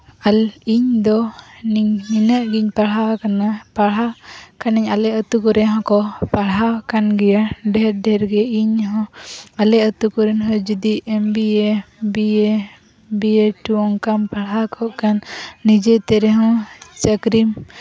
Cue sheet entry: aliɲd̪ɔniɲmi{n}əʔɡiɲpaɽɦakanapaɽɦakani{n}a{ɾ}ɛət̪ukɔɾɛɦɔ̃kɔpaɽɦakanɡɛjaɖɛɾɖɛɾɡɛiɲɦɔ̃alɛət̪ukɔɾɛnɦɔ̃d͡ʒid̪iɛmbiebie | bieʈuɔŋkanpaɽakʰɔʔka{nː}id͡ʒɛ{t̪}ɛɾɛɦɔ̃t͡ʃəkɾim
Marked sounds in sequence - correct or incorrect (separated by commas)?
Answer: correct, incorrect, incorrect, correct, correct